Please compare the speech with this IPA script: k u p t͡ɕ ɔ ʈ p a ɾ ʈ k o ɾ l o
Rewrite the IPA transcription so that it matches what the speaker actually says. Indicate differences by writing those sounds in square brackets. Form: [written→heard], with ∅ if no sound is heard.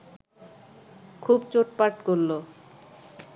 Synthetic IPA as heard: [k→kʰ] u [p→b] t͡ɕ [ɔ→o] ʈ p a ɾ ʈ k o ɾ l o